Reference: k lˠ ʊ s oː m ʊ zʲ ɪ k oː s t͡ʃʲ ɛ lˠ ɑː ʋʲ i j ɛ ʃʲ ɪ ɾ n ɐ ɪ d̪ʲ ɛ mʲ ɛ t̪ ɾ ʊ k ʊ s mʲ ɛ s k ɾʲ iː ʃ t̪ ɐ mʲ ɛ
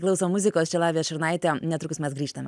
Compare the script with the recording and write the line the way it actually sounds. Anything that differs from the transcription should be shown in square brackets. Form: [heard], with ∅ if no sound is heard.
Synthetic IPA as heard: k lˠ ʊ s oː m ʊ zʲ ɪ k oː s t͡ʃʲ ɛ lˠ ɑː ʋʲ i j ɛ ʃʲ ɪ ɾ n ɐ ɪ [t̪ʲ] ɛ [nʲ] ɛ t̪ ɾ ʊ k ʊ s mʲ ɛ s [ɡ] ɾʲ iː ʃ t̪ ɐ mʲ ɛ